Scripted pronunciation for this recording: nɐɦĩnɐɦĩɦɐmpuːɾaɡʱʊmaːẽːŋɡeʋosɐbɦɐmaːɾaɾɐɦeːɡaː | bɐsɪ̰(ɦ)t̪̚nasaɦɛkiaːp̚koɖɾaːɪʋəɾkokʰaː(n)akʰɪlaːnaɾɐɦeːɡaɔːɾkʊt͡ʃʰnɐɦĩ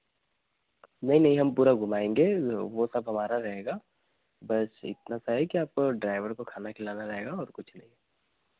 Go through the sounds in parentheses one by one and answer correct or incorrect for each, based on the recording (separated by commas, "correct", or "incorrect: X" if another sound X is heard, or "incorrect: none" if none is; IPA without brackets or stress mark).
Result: incorrect: none, correct